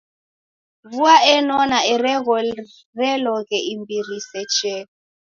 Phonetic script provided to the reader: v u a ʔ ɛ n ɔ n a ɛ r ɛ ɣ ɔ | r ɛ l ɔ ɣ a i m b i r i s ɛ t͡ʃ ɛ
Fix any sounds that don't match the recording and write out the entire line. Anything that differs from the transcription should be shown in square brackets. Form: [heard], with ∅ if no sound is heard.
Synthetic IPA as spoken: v u a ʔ ɛ n ɔ n a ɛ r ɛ ɣ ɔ | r ɛ l ɔ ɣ [ɛ] i m b i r i s ɛ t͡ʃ ɛ